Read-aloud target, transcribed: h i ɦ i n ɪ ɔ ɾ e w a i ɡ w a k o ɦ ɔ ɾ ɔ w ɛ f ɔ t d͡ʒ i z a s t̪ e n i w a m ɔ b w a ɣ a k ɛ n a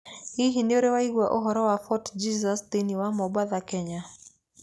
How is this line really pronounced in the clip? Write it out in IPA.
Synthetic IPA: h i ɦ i n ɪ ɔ ɾ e w a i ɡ w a ʔ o ɦ ɔ ɾ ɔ w a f ɔ t d͡ʒ i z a s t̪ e n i w a m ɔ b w a ð a k ɛ ɲ a